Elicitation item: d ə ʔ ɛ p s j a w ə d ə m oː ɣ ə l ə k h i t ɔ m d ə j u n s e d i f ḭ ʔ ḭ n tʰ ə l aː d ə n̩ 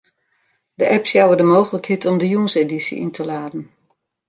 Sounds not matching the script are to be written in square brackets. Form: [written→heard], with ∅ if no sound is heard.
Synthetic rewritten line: d ə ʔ ɛ p s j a w ə d ə m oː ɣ ə l ə k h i t ɔ m d ə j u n s e d i [f→s] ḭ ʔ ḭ n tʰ ə l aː d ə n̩